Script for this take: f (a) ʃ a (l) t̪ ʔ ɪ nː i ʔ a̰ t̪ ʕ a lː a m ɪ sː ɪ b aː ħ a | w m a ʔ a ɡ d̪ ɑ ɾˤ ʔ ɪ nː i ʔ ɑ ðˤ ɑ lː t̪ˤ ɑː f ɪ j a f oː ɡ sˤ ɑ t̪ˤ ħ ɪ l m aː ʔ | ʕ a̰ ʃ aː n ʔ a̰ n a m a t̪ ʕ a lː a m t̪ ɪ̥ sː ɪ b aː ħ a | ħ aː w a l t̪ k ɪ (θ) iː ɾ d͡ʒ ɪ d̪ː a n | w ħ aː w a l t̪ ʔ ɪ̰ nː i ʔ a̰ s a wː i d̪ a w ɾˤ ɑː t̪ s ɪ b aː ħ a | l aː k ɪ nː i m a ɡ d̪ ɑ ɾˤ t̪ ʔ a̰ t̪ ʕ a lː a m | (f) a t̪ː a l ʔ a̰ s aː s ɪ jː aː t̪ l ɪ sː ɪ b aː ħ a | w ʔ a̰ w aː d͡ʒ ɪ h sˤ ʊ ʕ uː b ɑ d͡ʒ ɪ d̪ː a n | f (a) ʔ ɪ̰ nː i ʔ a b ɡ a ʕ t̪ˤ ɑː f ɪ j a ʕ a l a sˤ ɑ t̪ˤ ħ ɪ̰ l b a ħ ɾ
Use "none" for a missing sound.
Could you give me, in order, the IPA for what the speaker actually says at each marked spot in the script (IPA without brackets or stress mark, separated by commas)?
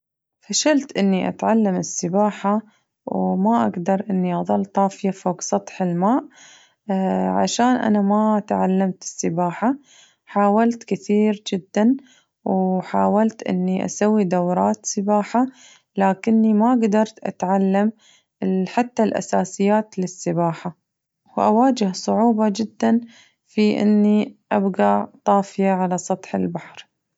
a, l, θ, ħ, i